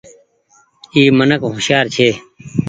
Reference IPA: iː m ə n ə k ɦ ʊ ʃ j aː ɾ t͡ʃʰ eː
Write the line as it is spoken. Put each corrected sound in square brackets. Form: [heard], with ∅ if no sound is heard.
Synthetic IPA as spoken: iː m ə n ə k ɦ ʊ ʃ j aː ɾ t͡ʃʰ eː